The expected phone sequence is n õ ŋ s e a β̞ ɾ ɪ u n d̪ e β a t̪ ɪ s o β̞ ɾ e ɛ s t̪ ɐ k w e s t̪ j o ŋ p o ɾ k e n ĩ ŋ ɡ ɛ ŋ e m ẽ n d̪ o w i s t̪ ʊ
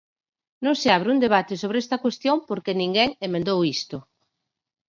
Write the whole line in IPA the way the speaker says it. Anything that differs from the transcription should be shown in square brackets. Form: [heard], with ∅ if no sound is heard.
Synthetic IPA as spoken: n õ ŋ s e a β̞ ɾ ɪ u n d̪ e β a t̪ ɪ s o β̞ ɾ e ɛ s t̪ ɐ k w e s t̪ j o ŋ p o ɾ k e n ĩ ŋ ɡ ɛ ŋ e m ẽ n d̪ o w i s t̪ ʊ